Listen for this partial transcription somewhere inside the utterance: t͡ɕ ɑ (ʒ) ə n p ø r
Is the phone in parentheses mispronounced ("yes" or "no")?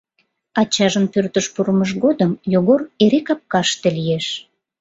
no